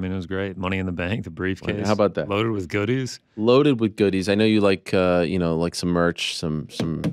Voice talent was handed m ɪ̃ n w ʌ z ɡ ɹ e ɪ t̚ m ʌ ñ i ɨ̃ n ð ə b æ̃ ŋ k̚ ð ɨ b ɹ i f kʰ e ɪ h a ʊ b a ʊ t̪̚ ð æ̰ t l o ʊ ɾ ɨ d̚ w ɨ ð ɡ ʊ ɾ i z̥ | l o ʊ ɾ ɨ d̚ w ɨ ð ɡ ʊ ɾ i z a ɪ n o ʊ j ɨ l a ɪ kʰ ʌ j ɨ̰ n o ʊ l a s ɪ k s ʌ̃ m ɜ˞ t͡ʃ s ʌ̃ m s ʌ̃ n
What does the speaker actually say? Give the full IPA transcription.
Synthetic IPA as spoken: m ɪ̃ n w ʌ z ɡ ɹ e ɪ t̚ m ʌ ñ i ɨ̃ n ð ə b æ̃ ŋ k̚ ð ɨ b ɹ i f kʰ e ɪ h a ʊ b a ʊ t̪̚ ð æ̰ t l o ʊ ɾ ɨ d̚ w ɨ ð ɡ ʊ ɾ i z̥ | l o ʊ ɾ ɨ d̚ w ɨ ð ɡ ʊ ɾ i z a ɪ n o ʊ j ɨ l a ɪ kʰ ʌ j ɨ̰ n o ʊ l a ɪ k s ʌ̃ m ɜ˞ t͡ʃ s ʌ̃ m s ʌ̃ m